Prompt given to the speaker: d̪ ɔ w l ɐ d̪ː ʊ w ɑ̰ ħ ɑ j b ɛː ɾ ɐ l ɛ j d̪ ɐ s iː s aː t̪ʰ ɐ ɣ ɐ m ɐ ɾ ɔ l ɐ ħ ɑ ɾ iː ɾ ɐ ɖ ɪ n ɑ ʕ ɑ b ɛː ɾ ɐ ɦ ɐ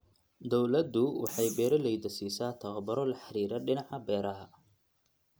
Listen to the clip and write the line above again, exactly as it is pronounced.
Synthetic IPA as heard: d̪ ɔ w l ɐ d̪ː ʊ w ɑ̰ ħ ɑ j b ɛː ɾ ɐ l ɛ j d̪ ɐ s iː s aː t̪ʰ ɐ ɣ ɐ b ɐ ɾ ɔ l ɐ ħ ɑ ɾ iː ɾ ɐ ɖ ɪ n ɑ ʕ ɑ b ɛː ɾ ɐ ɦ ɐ